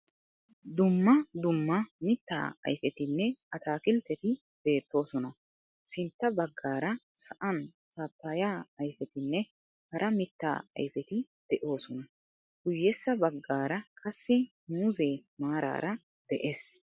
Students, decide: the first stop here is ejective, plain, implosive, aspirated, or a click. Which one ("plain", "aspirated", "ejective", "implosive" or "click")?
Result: plain